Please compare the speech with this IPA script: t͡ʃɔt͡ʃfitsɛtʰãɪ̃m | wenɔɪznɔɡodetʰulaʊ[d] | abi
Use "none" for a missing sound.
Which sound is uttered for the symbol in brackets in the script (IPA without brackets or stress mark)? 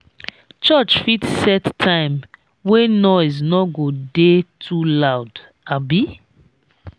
d